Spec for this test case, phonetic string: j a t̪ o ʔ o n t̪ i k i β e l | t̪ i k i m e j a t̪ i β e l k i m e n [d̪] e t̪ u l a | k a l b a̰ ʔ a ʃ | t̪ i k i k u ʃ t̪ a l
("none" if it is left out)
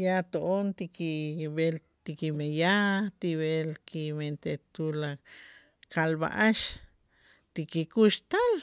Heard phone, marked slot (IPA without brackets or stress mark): t̪